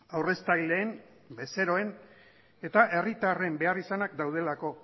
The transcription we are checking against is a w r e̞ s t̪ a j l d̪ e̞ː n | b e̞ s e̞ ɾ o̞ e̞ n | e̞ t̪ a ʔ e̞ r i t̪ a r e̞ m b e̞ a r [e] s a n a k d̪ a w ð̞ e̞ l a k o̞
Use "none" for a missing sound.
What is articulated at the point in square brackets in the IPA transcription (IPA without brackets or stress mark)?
i